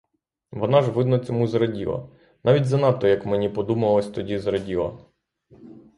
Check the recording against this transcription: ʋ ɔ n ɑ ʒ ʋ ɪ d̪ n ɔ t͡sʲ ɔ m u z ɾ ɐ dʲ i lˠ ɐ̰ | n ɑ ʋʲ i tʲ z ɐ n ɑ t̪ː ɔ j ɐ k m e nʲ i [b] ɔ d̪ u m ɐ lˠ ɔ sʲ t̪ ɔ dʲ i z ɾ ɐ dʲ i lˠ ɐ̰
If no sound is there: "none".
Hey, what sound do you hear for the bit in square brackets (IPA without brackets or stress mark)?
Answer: p